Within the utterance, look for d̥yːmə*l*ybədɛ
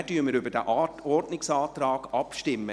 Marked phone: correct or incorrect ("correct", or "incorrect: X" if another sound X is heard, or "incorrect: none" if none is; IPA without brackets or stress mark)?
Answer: incorrect: ɾ